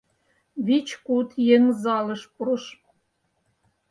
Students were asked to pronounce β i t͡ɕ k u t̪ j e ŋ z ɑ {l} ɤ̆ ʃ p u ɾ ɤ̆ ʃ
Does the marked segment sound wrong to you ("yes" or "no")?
no